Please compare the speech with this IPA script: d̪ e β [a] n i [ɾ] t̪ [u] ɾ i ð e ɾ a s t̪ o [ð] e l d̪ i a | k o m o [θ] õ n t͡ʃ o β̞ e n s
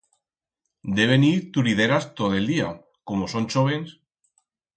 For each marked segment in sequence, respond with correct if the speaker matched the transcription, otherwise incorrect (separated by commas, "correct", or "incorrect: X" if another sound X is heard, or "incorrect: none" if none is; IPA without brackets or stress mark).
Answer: incorrect: e, correct, correct, correct, incorrect: s